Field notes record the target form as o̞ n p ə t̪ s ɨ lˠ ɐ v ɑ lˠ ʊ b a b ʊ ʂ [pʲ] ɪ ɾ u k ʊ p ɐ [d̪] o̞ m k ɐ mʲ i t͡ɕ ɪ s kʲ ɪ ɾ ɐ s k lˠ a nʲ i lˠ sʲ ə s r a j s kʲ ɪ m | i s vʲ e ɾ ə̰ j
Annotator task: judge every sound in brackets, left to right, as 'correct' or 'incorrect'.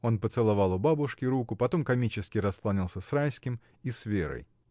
incorrect: kʲ, incorrect: t̪

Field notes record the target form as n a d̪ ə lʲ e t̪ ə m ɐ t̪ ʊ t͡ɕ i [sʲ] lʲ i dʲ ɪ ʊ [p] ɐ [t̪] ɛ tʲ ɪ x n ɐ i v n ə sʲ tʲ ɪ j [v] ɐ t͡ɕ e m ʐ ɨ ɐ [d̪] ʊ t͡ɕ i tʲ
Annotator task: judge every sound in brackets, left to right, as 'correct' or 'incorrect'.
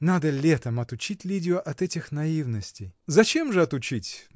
incorrect: tʲ, incorrect: ʔ, correct, incorrect: z, incorrect: t̪

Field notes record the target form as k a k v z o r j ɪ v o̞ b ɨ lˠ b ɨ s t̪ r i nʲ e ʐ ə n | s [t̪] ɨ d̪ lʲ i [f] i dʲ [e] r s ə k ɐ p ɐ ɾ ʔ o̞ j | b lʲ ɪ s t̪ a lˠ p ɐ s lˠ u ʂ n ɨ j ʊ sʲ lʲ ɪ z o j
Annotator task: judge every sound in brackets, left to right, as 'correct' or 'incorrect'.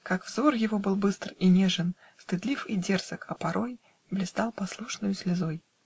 correct, correct, correct

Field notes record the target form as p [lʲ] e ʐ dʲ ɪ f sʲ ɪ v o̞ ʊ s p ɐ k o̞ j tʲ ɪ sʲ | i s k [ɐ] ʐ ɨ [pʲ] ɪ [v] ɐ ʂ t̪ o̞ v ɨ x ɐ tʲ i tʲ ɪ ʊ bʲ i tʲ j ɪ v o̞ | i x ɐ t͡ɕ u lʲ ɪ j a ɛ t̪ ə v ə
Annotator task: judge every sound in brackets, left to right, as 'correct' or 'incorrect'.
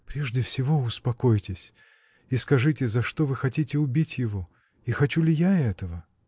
incorrect: ɾʲ, correct, incorrect: tʲ, incorrect: z

